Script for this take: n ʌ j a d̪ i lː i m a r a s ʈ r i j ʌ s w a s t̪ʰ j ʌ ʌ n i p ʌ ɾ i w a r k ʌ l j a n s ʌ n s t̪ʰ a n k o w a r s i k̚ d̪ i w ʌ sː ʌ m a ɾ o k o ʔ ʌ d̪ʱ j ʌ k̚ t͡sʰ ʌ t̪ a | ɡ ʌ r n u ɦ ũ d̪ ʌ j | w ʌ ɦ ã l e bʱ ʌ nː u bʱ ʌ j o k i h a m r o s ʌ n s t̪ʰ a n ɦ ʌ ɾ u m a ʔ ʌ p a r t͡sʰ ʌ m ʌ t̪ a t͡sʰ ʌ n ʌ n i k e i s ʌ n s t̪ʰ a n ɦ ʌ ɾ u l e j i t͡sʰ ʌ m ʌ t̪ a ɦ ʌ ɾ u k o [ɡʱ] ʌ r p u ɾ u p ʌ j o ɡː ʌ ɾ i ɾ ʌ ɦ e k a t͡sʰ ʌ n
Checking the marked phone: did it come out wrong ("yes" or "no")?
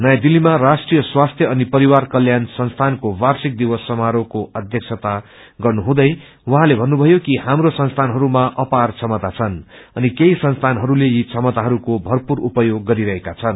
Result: yes